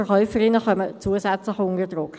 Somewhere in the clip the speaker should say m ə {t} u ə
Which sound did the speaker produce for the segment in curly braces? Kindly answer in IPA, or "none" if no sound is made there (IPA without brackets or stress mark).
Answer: t͡s